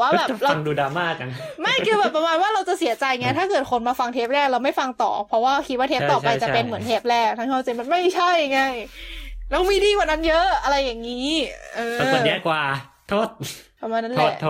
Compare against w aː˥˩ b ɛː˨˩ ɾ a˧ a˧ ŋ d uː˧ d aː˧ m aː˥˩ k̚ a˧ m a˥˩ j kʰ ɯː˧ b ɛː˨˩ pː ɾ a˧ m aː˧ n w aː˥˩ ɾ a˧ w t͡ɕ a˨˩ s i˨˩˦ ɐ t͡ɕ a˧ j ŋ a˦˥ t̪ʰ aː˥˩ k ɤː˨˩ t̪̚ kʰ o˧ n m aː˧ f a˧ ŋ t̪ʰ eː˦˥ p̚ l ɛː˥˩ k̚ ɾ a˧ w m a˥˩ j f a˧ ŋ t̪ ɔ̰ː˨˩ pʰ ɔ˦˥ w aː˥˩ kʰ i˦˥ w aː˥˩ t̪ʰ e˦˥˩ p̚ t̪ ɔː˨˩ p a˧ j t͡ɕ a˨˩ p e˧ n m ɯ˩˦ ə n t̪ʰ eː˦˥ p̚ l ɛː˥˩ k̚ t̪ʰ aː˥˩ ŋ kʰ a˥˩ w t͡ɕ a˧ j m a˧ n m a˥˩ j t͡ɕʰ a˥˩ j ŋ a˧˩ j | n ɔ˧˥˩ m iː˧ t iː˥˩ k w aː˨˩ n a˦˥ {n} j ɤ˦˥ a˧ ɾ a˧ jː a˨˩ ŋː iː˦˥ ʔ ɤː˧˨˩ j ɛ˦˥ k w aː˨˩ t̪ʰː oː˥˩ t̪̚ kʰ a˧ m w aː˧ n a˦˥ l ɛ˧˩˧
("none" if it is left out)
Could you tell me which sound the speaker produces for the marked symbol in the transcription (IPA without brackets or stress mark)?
n